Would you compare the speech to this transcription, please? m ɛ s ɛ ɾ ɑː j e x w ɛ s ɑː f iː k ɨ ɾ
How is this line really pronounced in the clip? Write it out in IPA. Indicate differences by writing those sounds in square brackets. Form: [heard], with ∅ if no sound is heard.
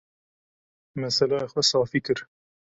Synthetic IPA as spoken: m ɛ s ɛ [l] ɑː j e x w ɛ s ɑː f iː k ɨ ɾ